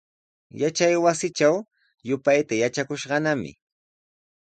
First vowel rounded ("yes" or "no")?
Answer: no